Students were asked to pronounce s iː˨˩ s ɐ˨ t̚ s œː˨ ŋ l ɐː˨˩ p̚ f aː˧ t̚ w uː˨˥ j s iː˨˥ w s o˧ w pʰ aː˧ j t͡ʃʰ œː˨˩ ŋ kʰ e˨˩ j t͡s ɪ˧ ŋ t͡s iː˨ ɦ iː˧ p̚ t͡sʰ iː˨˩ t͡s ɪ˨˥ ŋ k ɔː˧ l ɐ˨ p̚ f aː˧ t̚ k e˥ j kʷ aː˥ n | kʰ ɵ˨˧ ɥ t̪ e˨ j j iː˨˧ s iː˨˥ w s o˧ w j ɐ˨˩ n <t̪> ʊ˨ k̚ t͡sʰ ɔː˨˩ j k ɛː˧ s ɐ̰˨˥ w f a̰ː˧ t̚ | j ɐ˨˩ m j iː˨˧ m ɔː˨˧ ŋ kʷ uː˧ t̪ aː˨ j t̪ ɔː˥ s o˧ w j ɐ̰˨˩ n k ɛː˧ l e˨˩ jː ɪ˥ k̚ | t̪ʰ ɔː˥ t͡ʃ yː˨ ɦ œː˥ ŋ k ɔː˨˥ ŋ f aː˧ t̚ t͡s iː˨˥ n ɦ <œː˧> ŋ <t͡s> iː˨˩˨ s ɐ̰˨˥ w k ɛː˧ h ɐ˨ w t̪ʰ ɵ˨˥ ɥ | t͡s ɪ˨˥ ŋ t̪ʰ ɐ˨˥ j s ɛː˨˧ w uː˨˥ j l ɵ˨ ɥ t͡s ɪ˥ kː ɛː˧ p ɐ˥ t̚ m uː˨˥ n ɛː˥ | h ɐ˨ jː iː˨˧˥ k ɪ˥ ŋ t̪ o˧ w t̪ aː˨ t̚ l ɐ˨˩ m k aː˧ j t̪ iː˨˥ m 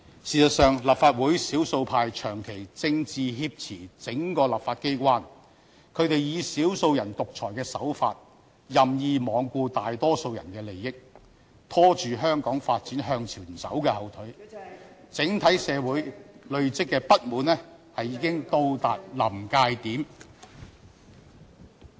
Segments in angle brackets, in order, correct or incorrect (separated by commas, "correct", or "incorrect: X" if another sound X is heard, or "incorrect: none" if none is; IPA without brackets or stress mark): correct, correct, incorrect: t͡sʰ